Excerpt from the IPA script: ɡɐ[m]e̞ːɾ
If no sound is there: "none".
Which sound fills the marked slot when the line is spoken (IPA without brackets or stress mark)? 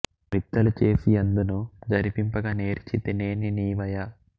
n